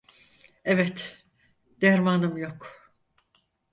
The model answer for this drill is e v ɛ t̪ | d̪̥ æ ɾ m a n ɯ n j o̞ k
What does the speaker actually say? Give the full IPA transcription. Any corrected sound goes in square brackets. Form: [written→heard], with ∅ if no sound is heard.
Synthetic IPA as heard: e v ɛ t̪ | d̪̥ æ ɾ m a n ɯ [n→m] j o̞ k